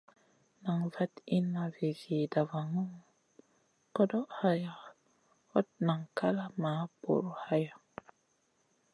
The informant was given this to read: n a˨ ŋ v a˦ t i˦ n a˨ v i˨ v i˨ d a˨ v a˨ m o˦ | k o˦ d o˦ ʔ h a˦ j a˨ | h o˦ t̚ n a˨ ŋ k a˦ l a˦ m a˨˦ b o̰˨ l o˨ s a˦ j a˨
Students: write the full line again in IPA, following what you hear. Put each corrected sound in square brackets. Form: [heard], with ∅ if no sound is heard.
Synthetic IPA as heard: n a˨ ŋ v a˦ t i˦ n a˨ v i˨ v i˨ d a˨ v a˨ [ŋ] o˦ | k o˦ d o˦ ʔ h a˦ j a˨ | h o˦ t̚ n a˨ ŋ k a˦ l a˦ m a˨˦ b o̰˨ [ɾ] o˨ [h] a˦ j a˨